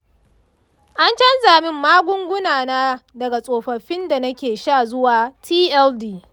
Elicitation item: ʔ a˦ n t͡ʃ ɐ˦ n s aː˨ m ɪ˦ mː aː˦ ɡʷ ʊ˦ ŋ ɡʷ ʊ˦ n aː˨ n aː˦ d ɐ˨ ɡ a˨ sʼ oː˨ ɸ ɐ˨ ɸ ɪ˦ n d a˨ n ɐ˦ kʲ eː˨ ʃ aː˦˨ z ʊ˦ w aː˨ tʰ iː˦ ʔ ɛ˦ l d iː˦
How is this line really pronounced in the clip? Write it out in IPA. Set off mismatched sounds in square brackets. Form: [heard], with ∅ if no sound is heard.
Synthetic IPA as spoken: ʔ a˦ n t͡ʃ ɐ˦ n [z] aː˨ m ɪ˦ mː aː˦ ɡʷ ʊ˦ ŋ ɡʷ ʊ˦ n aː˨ n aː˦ d ɐ˨ ɡ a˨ sʼ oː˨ ɸ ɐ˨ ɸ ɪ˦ n d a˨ n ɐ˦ kʲ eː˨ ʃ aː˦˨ z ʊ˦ w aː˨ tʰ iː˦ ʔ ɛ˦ l d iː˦

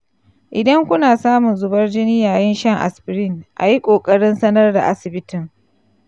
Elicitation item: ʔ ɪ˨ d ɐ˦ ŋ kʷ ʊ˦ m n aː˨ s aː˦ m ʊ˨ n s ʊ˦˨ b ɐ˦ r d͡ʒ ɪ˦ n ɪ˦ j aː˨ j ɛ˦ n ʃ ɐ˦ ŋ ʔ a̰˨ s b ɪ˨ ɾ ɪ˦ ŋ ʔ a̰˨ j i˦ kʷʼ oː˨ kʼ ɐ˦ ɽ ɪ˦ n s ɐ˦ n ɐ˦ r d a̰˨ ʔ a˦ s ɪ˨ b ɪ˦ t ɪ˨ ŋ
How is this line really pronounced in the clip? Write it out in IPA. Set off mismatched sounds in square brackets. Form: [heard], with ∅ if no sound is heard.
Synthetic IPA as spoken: ʔ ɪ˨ d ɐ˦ ŋ kʷ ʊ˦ [∅] n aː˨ s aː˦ m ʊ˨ n [z] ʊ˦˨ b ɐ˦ r d͡ʒ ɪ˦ n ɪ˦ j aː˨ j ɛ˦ n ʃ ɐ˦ ŋ ʔ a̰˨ s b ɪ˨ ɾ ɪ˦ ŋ ʔ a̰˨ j i˦ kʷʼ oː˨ kʼ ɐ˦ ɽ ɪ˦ n s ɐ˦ n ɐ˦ r d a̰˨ ʔ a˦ s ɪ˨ b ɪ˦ t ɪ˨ ŋ

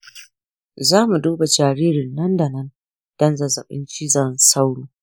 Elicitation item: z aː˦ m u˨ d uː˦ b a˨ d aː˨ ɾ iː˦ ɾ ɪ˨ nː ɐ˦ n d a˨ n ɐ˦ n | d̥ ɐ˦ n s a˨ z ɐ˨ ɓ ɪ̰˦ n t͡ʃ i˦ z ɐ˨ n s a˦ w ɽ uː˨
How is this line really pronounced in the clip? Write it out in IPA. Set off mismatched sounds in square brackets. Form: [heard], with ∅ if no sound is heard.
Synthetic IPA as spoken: z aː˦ m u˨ d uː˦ b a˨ [d͡ʒ] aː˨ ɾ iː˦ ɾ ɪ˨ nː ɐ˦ n d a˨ n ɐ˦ n | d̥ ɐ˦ n [z] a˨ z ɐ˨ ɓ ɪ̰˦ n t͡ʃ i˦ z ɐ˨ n s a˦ w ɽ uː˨

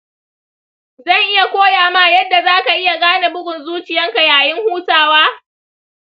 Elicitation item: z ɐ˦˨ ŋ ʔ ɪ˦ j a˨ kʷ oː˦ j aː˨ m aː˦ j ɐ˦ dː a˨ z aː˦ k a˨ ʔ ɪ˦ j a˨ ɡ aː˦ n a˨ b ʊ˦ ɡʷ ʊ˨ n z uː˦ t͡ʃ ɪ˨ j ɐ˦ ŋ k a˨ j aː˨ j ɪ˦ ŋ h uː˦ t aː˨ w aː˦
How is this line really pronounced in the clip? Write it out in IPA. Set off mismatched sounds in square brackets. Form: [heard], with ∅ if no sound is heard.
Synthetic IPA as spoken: z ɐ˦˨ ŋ ʔ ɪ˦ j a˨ kʷ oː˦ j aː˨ m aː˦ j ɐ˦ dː a˨ z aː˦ k a˨ ʔ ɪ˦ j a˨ ɡ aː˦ n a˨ b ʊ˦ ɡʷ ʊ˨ n z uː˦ t͡ʃ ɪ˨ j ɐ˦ ŋ k a˨ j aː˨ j ɪ˦ ŋ h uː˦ t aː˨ w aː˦

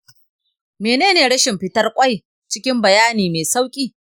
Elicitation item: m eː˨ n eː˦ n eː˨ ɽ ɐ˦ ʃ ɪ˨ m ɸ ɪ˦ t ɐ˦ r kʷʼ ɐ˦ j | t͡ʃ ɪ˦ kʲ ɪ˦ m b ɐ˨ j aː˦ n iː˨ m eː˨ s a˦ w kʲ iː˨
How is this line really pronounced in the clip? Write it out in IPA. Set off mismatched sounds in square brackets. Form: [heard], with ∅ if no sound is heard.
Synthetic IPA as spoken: m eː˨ n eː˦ n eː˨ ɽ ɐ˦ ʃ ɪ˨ m ɸ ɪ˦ t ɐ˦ r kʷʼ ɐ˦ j | t͡ʃ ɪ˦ kʲ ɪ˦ m b ɐ˨ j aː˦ n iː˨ m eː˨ s a˦ w [kʲʼ] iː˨

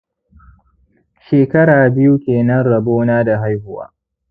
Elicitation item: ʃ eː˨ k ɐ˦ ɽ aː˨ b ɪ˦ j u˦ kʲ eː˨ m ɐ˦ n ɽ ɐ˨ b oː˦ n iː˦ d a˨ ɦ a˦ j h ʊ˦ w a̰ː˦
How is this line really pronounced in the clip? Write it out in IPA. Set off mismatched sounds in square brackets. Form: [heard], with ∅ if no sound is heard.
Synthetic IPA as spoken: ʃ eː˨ k ɐ˦ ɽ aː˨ b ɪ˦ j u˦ kʲ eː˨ [n] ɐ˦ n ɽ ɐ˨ b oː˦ n [aː˦] d a˨ ɦ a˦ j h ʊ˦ w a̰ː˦

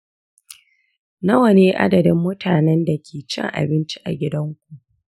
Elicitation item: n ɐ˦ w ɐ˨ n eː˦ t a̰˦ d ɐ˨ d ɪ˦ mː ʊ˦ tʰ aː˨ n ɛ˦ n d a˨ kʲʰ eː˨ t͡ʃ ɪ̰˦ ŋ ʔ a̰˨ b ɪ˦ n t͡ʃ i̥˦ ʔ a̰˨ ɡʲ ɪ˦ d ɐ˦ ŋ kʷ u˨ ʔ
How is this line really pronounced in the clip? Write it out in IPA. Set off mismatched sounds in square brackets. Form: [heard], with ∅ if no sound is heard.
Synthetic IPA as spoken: n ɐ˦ w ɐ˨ n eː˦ [ʔ] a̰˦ d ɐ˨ d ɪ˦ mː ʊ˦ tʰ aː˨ n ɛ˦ n d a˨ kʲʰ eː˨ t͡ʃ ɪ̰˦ ŋ ʔ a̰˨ b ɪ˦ n t͡ʃ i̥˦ ʔ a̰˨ ɡʲ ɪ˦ d ɐ˦ ŋ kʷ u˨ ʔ

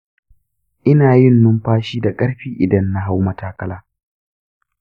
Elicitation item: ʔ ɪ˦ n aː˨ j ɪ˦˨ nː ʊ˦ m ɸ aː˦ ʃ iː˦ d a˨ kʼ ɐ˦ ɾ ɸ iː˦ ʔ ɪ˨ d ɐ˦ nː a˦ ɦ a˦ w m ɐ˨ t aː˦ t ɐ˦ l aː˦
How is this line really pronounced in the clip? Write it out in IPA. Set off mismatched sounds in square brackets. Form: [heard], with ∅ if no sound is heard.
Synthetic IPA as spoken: ʔ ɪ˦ n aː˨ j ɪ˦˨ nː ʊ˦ m ɸ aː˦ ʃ iː˦ d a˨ kʼ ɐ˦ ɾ ɸ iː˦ ʔ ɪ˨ d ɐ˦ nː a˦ ɦ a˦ w m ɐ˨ t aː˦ [k] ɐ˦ l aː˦

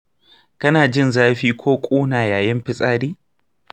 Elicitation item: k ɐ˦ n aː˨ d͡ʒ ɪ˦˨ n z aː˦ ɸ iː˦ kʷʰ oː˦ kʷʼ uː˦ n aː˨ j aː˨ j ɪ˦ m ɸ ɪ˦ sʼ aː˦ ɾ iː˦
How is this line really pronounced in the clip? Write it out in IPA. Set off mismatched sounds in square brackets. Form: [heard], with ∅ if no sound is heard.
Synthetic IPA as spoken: k ɐ˦ n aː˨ d͡ʒ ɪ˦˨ n z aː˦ ɸ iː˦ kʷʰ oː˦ kʷʼ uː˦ n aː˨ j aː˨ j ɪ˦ m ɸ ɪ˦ sʼ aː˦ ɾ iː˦

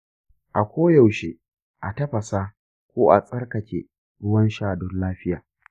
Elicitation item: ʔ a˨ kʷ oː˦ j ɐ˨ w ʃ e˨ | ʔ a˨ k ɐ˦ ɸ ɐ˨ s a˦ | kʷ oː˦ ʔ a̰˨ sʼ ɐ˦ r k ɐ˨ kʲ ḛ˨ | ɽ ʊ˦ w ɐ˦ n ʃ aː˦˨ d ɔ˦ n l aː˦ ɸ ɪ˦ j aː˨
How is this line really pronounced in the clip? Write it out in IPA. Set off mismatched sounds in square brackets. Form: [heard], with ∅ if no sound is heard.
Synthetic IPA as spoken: ʔ a˨ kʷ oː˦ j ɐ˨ w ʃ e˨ | ʔ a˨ [t] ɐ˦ ɸ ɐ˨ s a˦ | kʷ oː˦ ʔ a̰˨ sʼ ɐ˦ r k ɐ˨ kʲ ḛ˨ | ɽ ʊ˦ w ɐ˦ n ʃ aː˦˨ d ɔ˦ n l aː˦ ɸ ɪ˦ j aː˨

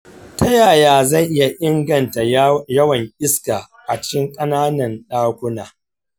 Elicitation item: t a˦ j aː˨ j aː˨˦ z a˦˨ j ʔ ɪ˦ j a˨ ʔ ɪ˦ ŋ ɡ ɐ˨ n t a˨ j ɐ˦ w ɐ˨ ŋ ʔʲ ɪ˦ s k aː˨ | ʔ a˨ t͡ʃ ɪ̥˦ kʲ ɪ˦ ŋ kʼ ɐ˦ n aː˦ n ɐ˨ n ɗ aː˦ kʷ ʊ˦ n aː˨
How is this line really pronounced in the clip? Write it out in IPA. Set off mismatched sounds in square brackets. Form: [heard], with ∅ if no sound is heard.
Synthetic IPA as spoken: t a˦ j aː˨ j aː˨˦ z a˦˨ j ʔ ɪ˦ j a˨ ʔ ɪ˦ ŋ ɡ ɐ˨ n t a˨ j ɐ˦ w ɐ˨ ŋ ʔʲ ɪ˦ s k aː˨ | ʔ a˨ t͡ʃ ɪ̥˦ kʲ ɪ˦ ŋ kʼ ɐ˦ n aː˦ n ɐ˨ n ɗ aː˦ kʷ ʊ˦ n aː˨

